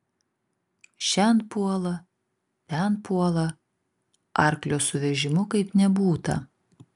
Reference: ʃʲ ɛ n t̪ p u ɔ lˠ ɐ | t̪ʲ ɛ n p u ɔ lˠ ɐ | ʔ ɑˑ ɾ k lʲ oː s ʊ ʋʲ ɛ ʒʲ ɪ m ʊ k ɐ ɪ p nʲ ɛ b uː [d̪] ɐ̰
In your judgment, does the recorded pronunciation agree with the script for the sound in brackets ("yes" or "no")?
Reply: no